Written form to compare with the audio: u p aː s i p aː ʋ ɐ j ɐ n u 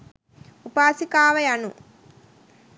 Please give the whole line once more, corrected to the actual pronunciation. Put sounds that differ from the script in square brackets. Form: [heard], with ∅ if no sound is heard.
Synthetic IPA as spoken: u p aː s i [k] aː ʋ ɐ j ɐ n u